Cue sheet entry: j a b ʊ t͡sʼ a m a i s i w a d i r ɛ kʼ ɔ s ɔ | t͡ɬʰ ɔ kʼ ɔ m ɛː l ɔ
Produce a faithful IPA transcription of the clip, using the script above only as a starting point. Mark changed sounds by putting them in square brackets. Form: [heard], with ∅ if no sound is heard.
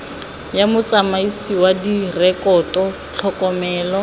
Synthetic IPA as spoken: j a [m] ʊ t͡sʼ a m a i s i w a d i r ɛ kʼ ɔ [t] ɔ | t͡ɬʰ ɔ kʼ ɔ m ɛː l ɔ

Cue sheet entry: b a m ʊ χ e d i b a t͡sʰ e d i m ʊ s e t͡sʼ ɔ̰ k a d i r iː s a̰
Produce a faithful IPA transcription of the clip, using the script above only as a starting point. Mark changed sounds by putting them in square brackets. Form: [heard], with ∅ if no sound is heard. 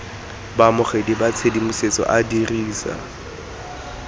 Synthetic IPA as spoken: b a m ʊ χ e d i b a t͡sʰ e d i m ʊ s e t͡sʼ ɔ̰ [ʔ] a d i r iː s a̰

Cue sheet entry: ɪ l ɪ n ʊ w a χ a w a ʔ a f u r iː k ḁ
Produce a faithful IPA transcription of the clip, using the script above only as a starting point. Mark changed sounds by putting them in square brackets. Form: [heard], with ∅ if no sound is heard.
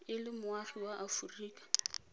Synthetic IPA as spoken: ɪ l ɪ [m] ʊ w a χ [i] w a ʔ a f u r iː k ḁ

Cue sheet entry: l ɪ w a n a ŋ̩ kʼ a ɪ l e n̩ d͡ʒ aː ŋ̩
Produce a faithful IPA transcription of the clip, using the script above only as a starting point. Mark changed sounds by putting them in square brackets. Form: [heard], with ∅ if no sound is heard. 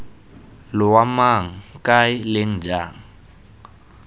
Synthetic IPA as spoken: l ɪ w a [m] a ŋ̩ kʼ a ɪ l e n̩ d͡ʒ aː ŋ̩

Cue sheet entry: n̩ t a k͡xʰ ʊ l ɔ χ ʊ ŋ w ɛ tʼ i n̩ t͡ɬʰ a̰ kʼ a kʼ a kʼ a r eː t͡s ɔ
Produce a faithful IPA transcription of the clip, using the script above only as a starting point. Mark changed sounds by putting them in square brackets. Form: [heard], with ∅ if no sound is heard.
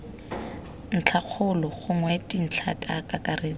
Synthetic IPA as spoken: n̩ [t͡ɬʰ] a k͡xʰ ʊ l ɔ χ ʊ ŋ w ɛ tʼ i n̩ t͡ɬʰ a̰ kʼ a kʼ a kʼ a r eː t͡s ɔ

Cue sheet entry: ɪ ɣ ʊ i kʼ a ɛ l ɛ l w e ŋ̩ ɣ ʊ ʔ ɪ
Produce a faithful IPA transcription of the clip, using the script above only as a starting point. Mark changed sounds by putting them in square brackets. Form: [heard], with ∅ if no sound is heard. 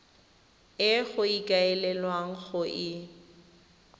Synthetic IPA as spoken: ɪ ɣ ʊ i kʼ a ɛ l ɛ l w [a] ŋ̩ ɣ ʊ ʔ ɪ

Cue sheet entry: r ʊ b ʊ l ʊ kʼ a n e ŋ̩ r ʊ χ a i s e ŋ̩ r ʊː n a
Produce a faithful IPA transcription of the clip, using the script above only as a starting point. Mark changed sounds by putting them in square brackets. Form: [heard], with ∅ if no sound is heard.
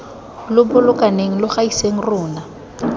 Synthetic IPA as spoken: [l] ʊ b ʊ l ʊ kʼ a n e ŋ̩ [l] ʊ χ a i s e ŋ̩ r ʊː n a

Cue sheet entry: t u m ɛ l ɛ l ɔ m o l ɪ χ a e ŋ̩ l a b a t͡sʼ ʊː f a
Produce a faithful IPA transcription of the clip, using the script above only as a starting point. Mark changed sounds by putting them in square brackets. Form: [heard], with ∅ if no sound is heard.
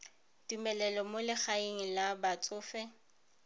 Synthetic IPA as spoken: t u m ɛ l ɛ l ɔ m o l ɪ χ a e ŋ̩ l a b a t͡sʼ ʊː f [ɛ]

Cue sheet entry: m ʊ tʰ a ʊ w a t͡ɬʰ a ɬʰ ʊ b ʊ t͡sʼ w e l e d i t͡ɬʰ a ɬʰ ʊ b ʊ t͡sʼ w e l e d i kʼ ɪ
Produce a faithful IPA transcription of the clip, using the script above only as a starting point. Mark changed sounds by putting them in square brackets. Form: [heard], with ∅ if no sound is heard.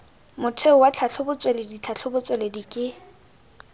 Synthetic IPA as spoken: m ʊ tʰ [e] ʊ w a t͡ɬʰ a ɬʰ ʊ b ʊ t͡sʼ w e l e d i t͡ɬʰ a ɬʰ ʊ b ʊ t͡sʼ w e l e d i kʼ ɪ

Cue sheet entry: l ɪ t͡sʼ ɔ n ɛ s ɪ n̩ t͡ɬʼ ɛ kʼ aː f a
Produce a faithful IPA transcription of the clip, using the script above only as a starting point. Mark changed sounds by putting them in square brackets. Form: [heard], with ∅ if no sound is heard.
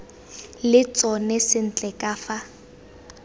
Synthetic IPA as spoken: l ɪ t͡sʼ ɔ n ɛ s ɪ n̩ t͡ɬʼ ɛ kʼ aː f a

